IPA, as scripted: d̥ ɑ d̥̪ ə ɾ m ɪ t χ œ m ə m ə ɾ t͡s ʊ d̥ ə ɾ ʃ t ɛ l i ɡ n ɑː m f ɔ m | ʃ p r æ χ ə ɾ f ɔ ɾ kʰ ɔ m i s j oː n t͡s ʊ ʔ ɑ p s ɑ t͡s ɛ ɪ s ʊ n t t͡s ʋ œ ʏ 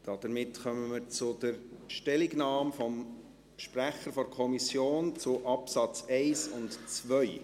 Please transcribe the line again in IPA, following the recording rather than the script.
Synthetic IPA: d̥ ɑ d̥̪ ə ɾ m ɪ t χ œ m ə m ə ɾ t͡s ʊ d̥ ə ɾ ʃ t ɛ l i ɡ n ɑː m f ɔ m | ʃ p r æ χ ə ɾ f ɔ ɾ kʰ ɔ m i s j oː n t͡s ʊ ʔ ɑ p s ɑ t͡s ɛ ɪ s ʊ n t t͡s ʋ œ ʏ